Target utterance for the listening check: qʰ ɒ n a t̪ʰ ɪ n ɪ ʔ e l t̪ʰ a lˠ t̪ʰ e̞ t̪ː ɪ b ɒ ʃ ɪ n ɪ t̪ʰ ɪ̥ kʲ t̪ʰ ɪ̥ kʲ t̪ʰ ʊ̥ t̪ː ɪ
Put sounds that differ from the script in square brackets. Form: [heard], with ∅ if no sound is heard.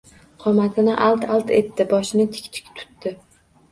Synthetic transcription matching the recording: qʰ ɒ [m] a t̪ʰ ɪ n ɪ ʔ [a] l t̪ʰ a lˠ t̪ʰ e̞ t̪ː ɪ b ɒ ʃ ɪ n ɪ t̪ʰ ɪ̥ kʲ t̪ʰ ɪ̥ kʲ t̪ʰ ʊ̥ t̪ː ɪ